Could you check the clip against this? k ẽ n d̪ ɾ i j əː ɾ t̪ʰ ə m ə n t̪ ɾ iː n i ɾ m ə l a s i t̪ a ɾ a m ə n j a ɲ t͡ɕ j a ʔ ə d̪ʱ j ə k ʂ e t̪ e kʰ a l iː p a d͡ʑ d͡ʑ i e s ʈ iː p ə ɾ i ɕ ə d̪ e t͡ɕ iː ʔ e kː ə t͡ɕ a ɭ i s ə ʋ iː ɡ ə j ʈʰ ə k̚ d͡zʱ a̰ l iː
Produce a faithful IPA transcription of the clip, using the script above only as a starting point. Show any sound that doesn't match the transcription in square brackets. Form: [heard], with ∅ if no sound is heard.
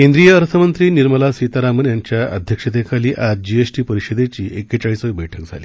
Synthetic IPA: k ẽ n d̪ ɾ i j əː ɾ t̪ʰ ə m ə n t̪ ɾ iː n i ɾ m ə l a s i t̪ a ɾ a m ə n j a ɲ t͡ɕ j a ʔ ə d̪ʱ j ə k ʂ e t̪ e kʰ a l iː [ʔ] a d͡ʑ d͡ʑ i e s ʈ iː p ə ɾ i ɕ ə d̪ e t͡ɕ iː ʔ e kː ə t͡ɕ a ɭ i s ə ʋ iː [b] ə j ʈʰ ə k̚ d͡zʱ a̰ l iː